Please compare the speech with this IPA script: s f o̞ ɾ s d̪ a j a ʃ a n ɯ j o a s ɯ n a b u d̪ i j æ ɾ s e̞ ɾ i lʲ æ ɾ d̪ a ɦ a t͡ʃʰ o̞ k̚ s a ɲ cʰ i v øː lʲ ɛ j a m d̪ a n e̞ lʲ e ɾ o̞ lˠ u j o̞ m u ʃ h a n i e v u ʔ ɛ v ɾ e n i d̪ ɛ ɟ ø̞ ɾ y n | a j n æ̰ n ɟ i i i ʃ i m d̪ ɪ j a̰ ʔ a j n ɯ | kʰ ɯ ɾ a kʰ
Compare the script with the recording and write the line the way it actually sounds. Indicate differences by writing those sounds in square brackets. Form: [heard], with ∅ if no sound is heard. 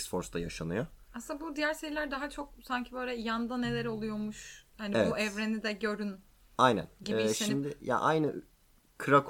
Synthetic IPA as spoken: s f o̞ ɾ s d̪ a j a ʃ a n ɯ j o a s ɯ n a b u d̪ i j æ ɾ s e̞ ɾ i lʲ æ ɾ d̪ a ɦ a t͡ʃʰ o̞ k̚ s a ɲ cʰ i [b] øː lʲ ɛ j a [n] d̪ a n e̞ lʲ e ɾ o̞ lˠ u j o̞ m u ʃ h a n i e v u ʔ ɛ v ɾ e n i d̪ ɛ ɟ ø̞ ɾ y n | a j n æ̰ n ɟ i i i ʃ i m d̪ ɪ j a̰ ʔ a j n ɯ | kʰ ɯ ɾ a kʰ